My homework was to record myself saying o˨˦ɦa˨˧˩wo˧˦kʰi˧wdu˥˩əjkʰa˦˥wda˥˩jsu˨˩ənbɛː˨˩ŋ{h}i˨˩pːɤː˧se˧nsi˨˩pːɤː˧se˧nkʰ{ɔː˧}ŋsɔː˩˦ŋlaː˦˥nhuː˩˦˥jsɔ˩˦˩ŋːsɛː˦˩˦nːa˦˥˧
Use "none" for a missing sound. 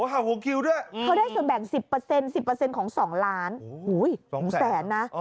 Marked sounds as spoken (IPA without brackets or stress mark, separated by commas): s, ɔː˩˦